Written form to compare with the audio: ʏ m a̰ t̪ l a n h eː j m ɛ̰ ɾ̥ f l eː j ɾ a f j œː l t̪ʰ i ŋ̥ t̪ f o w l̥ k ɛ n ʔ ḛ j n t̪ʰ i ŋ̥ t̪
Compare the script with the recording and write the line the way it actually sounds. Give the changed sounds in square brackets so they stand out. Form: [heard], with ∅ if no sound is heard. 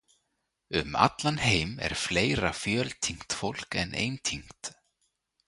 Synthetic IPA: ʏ m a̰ t̪ l a n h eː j m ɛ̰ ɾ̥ f l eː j ɾ a f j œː l t̪ʰ i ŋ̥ t̪ f o w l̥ k ɛ n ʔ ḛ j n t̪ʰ i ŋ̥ t̪